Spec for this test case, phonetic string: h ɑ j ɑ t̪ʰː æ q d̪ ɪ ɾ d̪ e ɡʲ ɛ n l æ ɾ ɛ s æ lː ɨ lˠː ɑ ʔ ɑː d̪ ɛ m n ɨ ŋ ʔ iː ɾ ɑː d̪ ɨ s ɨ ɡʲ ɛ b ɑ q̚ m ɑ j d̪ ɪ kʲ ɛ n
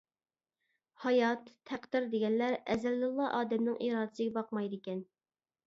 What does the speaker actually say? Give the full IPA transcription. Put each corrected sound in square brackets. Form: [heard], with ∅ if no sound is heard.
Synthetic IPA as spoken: h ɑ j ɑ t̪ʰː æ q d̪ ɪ ɾ d̪ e ɡʲ ɛ n l æ ɾ ɛ [z] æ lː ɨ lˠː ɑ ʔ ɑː d̪ ɛ m n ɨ ŋ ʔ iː ɾ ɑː d̪ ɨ s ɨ ɡʲ ɛ b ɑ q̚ m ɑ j d̪ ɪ kʲ ɛ n